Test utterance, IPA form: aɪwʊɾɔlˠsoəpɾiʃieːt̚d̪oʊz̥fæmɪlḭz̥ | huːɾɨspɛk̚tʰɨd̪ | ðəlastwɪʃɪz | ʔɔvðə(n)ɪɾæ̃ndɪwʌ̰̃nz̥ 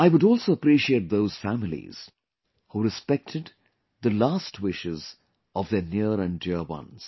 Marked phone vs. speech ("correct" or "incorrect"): correct